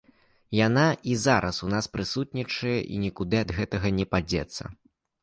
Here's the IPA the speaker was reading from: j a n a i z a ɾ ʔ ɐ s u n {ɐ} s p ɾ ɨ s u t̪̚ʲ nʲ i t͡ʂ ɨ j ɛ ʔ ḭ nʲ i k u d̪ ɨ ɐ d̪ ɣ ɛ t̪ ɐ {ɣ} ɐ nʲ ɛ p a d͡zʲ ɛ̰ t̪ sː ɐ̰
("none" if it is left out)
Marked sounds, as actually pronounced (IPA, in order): a, ɣ

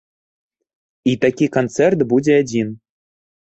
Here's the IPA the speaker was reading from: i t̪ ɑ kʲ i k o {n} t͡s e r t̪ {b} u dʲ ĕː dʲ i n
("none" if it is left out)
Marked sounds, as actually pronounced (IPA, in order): n, b

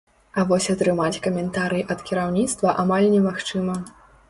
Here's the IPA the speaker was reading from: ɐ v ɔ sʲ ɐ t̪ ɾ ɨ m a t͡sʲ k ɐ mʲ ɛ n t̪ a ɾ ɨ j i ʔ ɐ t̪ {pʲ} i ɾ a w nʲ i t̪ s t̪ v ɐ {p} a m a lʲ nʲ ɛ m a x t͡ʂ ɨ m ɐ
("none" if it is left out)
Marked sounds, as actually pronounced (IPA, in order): kʲ, ʔ

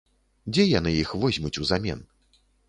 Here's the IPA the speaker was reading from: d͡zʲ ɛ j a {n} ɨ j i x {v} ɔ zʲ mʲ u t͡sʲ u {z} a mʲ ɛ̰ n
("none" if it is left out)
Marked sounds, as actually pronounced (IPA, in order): n, v, z

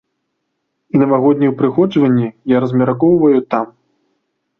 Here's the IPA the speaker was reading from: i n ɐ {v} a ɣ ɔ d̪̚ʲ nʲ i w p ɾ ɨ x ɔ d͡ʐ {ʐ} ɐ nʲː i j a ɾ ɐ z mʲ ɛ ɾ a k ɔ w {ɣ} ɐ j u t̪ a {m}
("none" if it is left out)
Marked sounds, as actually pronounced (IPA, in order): v, v, v, m

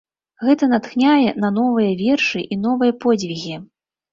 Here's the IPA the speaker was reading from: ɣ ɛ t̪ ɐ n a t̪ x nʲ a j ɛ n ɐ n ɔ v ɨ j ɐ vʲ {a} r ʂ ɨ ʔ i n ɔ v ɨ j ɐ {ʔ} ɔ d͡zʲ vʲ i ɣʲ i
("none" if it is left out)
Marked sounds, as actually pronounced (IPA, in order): ɛ, p

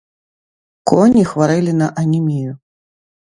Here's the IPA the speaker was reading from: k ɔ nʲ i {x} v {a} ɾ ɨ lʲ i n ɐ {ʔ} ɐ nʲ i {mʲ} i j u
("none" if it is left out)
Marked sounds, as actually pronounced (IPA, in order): x, a, ʔ, mʲ

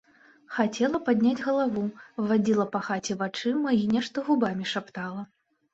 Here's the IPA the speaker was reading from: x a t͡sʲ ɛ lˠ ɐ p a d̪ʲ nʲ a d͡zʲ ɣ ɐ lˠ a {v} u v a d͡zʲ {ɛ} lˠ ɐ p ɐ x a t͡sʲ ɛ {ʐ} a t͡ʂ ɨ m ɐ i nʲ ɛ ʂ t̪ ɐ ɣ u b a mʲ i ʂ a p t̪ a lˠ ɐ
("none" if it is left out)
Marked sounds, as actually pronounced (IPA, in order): v, i, v

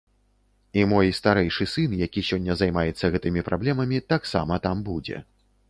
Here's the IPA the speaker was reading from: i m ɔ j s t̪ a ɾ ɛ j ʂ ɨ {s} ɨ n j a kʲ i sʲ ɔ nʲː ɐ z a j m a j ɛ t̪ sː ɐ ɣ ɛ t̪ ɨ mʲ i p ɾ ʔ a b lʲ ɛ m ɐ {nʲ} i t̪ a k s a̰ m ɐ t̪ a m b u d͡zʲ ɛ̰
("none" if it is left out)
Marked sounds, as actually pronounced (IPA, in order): s, mʲ

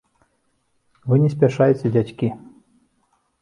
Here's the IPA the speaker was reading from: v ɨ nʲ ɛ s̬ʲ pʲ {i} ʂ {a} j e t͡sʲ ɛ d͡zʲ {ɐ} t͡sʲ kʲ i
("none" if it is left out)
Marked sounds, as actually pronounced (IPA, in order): a, a, a

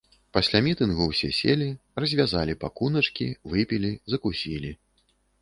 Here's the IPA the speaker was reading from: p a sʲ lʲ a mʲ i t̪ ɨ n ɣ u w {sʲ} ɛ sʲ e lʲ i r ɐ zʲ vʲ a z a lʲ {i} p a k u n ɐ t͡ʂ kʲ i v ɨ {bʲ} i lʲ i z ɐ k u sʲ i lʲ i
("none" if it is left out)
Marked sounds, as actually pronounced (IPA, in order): sʲ, i, pʲ

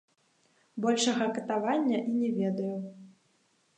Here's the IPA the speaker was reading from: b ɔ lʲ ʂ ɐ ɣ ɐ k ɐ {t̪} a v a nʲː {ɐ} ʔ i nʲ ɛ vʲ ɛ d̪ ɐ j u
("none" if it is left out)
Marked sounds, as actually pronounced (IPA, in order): t̪, ɐ

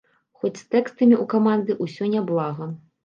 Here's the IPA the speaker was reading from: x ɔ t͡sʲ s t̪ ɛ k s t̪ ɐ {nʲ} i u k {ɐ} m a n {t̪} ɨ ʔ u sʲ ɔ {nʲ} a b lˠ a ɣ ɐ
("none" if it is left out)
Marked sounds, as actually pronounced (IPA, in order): mʲ, a, d̪, nʲ

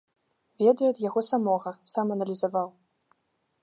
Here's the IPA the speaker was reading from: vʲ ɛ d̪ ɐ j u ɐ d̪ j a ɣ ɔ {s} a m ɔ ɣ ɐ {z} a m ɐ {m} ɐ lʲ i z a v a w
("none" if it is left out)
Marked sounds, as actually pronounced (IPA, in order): s, s, n

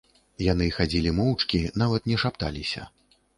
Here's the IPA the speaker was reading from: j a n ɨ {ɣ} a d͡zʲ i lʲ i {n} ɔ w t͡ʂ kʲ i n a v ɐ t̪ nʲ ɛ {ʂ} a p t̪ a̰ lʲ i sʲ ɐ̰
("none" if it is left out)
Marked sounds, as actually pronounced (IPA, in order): x, m, ʂ

